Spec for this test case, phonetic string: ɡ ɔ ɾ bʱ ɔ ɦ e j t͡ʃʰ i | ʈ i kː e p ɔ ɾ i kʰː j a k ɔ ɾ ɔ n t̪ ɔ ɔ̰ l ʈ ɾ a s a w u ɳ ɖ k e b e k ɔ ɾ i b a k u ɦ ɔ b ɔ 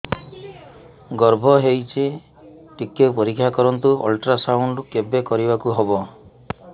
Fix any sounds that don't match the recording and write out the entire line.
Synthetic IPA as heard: ɡ ɔ ɾ bʱ ɔ ɦ e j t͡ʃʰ i | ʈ i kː e p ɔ ɾ i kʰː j a k ɔ ɾ ɔ n t̪ u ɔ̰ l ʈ ɾ a s a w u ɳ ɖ k e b e k ɔ ɾ i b a k u ɦ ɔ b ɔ